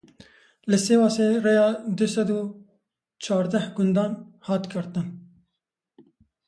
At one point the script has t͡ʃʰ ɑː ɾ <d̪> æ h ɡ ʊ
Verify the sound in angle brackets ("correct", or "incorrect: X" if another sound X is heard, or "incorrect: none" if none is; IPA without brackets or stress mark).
correct